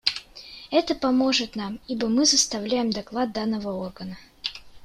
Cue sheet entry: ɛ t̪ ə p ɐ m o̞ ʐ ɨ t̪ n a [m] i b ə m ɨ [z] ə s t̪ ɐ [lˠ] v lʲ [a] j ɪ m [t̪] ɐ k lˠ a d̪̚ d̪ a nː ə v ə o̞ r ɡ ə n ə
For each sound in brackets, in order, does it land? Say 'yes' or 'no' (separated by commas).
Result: yes, yes, no, no, no